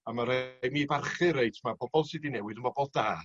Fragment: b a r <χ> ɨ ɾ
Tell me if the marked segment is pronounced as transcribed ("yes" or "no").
yes